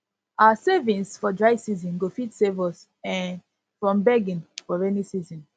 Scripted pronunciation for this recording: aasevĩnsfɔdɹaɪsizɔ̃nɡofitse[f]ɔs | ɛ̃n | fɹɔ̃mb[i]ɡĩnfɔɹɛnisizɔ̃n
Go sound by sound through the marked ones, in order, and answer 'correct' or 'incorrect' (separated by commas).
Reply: incorrect, incorrect